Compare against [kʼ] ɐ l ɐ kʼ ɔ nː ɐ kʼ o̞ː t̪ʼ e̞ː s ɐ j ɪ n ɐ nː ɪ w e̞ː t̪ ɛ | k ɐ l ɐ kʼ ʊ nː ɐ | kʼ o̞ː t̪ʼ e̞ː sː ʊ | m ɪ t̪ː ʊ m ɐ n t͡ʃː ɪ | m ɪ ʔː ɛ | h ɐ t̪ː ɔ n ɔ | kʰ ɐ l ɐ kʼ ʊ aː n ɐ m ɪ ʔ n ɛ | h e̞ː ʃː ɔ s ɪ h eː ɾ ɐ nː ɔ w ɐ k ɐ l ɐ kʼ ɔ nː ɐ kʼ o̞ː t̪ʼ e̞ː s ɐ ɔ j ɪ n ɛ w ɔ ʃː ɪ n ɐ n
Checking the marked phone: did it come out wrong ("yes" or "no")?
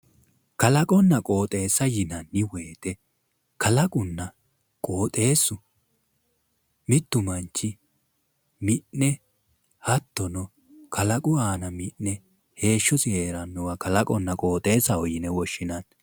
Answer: yes